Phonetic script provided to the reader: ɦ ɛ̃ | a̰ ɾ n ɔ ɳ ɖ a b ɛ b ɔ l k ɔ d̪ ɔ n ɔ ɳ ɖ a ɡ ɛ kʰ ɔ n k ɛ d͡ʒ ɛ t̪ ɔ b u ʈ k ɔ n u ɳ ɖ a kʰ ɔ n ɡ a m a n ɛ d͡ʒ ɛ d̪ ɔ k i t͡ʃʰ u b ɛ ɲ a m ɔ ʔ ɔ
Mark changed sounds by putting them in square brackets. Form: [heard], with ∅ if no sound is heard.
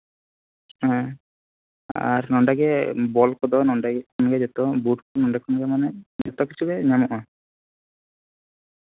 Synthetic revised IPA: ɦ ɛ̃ | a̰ ɾ n ɔ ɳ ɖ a [ɡ] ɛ b ɔ l k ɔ d̪ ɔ n ɔ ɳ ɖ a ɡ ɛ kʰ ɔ n [ɡ] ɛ d͡ʒ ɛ t̪ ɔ b u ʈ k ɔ n [ɔ] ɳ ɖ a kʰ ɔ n ɡ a m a n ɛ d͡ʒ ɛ [t̪] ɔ k i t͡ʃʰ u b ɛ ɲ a m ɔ ʔ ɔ